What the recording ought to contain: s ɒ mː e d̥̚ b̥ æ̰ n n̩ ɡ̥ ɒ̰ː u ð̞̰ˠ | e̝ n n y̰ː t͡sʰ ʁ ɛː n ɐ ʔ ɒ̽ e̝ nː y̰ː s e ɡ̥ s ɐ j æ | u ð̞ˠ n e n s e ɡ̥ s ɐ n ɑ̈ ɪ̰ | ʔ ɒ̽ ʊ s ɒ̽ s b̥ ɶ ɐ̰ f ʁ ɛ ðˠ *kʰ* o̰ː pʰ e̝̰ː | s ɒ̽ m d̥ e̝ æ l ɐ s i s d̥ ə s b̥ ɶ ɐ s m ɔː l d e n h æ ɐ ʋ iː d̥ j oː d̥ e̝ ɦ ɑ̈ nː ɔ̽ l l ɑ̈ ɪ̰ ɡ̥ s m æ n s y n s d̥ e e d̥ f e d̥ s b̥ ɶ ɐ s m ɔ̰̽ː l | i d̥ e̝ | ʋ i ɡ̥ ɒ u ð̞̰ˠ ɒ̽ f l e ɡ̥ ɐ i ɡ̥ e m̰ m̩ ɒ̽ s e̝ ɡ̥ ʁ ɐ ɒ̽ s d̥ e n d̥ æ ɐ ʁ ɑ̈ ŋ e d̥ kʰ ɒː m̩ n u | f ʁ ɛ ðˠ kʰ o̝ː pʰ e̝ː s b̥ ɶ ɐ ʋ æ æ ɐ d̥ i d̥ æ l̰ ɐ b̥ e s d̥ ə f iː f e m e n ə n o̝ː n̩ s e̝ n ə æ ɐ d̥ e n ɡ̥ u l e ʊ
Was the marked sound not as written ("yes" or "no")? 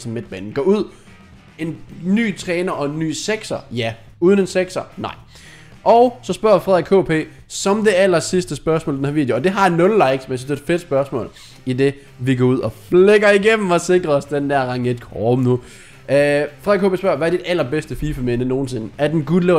no